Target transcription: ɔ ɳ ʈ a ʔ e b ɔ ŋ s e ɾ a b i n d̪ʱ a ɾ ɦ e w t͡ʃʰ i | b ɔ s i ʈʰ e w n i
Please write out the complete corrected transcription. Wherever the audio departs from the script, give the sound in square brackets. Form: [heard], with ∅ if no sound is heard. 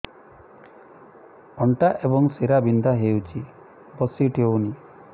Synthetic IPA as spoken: ɔ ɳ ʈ a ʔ e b ɔ ŋ s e ɾ a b i n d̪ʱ a [∅] ɦ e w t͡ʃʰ i | b ɔ s i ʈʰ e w n i